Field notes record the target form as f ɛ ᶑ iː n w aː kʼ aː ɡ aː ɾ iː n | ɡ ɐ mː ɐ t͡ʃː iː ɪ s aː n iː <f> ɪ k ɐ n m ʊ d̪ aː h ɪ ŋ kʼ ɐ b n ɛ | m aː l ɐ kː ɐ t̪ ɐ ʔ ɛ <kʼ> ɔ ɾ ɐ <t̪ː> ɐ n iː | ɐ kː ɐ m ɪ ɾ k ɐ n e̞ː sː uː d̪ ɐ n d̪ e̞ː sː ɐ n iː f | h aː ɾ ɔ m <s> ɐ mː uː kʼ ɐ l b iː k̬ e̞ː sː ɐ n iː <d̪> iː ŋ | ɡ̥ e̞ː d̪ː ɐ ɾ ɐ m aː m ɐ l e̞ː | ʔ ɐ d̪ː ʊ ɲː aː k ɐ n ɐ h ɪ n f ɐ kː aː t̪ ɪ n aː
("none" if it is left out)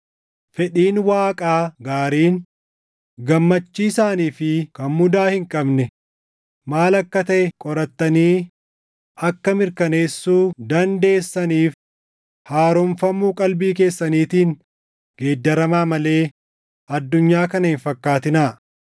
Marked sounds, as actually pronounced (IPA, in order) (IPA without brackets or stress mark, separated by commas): f, kʼ, t̪ː, f, t̪